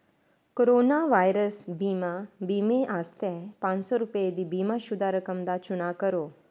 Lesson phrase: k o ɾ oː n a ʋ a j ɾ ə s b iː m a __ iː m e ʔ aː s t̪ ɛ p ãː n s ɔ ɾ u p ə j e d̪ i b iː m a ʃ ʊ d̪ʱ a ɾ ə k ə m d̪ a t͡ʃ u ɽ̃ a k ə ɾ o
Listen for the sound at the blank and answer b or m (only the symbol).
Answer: b